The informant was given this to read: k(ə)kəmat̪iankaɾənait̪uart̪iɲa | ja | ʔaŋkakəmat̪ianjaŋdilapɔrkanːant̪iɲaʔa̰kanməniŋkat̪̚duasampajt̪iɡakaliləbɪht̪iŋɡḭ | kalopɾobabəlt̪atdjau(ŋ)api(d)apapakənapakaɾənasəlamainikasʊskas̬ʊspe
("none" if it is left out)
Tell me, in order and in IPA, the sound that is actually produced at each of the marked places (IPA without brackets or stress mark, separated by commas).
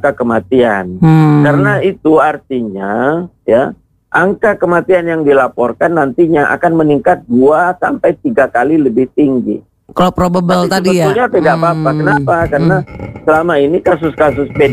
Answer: a, ɲ, d